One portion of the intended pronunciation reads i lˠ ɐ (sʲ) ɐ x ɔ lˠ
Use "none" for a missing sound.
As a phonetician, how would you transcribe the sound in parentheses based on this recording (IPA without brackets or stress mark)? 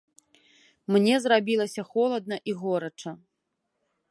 sʲ